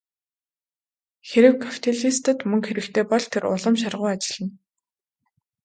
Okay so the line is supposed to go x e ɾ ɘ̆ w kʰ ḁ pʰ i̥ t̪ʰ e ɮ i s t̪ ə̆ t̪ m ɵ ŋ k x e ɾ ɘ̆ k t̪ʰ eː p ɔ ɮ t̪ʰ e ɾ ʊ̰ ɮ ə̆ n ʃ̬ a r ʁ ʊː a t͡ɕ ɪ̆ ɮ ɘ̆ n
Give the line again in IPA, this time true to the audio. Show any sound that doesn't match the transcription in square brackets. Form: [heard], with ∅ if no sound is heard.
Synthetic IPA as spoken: x e ɾ ɘ̆ w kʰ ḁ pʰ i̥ t̪ʰ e ɮ i s t̪ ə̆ t̪ m ɵ ŋ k x e ɾ ɘ̆ k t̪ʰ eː p ɔ ɮ t̪ʰ e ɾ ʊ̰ ɮ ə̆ [m] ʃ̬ a r ʁ ʊː a t͡ɕ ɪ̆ ɮ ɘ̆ n